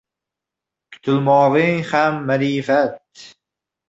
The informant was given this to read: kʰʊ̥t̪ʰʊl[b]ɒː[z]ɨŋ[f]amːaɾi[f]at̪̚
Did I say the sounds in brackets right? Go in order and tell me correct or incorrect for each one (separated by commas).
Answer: incorrect, incorrect, incorrect, correct